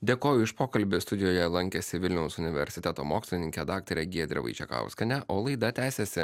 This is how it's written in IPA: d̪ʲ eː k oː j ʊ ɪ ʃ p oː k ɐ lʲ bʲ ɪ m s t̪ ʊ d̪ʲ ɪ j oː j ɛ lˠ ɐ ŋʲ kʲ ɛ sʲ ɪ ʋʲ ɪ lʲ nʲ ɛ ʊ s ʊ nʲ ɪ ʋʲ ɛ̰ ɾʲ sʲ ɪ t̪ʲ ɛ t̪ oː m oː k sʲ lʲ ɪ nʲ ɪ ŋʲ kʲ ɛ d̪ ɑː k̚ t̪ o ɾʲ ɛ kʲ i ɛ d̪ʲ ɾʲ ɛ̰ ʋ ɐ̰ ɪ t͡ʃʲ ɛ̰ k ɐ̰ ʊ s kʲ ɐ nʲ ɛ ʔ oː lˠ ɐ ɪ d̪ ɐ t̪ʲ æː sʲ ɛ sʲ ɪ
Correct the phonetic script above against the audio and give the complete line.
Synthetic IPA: d̪ʲ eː k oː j ʊ ɪ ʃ p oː k ɐ lʲ bʲ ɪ s t̪ ʊ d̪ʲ ɪ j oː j ɛ lˠ ɐ ŋʲ kʲ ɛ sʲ ɪ ʋʲ ɪ lʲ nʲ ɛ ʊ s ʊ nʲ ɪ ʋʲ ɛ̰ ɾʲ sʲ ɪ t̪ʲ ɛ t̪ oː m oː k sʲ lʲ ɪ nʲ ɪ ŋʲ kʲ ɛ d̪ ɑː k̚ t̪ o ɾʲ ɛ ɡʲ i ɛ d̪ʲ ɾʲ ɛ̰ ʋ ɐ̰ ɪ t͡ʃʲ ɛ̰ k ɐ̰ ʊ s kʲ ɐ nʲ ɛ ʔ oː lˠ ɐ ɪ d̪ ɐ t̪ʲ æː sʲ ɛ sʲ ɪ